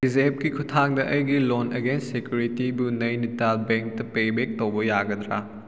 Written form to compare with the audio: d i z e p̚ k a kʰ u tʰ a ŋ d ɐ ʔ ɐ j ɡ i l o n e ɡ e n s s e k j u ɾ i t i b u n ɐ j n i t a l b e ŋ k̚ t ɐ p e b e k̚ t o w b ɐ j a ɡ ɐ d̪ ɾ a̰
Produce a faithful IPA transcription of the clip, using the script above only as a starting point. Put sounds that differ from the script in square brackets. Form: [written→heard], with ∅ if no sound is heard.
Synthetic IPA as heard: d i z e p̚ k [a→i] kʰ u tʰ a ŋ d ɐ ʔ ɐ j ɡ i l o n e ɡ e n s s e k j u ɾ i t i b u n ɐ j n i t a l b e ŋ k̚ t ɐ p e b e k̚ t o w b ɐ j a ɡ ɐ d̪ ɾ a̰